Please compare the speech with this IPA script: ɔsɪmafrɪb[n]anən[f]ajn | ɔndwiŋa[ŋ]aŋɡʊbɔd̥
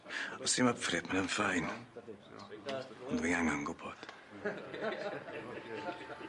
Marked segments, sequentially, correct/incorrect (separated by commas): incorrect, correct, correct